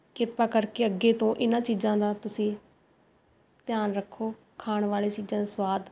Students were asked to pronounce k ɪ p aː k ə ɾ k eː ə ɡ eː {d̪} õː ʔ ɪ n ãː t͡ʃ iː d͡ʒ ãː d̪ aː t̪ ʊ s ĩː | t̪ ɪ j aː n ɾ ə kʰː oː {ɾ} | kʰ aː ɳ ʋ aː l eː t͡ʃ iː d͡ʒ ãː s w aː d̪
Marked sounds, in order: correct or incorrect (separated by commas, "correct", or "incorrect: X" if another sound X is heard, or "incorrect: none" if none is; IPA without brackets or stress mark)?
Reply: incorrect: t̪, incorrect: none